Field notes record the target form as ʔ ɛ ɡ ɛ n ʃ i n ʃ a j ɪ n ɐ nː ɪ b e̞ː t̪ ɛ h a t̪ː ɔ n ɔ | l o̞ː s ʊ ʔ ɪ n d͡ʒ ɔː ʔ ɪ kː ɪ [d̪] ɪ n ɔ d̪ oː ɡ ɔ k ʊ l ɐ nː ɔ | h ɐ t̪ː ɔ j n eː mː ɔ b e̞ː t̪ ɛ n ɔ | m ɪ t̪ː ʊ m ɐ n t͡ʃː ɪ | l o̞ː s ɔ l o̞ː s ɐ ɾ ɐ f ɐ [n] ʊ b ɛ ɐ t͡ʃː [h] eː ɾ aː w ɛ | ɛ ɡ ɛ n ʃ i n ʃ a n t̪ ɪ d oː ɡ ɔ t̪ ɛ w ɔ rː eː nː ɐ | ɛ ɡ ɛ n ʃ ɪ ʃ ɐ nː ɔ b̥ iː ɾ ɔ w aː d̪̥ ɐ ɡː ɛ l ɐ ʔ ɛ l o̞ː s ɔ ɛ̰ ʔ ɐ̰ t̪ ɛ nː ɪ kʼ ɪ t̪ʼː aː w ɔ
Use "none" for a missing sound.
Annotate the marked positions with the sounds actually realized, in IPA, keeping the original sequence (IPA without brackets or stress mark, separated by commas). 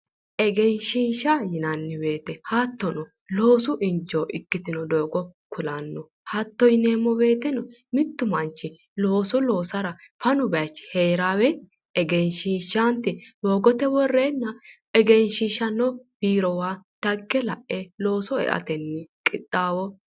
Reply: t̪, n, h